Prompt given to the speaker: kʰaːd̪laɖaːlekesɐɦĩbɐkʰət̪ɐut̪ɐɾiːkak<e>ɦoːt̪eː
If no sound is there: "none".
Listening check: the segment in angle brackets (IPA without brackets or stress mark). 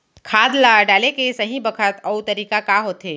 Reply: a